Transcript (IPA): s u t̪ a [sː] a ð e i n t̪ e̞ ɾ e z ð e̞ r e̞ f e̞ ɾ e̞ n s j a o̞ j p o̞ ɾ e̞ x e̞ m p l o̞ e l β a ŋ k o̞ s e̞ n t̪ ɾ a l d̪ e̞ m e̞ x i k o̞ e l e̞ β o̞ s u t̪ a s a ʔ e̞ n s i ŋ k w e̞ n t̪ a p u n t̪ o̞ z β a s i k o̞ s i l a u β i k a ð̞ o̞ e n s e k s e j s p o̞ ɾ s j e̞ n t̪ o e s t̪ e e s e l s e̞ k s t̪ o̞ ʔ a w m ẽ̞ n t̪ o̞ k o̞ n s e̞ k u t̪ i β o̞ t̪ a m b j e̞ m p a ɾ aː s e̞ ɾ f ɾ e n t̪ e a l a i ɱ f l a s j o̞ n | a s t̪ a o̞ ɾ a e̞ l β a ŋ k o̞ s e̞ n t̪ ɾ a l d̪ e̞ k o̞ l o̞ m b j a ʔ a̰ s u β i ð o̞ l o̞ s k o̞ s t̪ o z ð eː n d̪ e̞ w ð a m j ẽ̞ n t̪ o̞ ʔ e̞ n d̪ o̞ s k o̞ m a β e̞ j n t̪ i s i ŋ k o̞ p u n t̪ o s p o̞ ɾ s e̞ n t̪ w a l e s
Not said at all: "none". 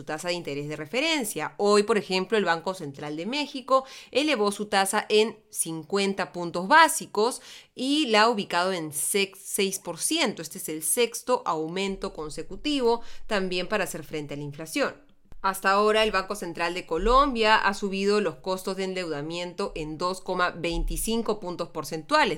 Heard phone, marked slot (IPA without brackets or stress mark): s